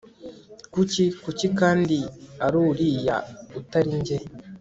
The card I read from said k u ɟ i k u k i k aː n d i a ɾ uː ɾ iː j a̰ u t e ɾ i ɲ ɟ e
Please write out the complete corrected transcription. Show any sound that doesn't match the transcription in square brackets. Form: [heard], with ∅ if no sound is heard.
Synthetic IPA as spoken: k u [c] i k u [c] i k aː n d i a ɾ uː ɾ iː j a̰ u t [a] ɾ i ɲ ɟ e